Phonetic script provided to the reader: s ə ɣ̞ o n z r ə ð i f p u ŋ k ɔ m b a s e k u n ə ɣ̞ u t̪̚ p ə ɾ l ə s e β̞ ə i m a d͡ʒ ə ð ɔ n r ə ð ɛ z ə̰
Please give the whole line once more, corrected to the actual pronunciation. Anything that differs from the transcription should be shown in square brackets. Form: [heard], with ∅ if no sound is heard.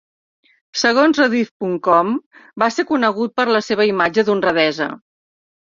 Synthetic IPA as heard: s ə ɣ̞ o n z r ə ð i f p u ŋ k ɔ m b a s e k u n ə ɣ̞ u t̪̚ p ə ɾ l ə s e β̞ ə i m a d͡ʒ ə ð [u] n r ə ð ɛ z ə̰